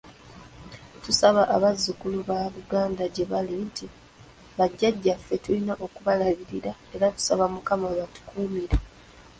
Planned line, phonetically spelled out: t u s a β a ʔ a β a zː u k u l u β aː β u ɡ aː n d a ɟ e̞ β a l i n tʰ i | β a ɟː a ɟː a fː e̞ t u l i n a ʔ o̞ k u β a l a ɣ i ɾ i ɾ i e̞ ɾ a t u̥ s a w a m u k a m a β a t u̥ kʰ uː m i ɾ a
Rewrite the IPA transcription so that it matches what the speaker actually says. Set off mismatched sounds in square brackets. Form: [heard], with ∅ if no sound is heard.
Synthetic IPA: t u s a β a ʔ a β a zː u k u l u β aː β u ɡ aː n d a ɟ e̞ β a l i n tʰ i | β a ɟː a ɟː a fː e̞ t u l i n a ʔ o̞ k u β a l a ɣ i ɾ i ɾ [a] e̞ ɾ a t u̥ s a [β] a m u k a m a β a t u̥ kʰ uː m i ɾ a